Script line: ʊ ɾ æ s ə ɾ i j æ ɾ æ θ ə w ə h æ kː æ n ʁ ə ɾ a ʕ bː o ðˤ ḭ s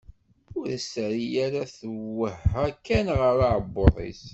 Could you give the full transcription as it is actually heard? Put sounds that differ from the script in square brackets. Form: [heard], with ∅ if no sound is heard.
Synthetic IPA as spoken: ʊ ɾ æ s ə ɾ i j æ ɾ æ θ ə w ə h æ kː æ n ʁ ə ɾ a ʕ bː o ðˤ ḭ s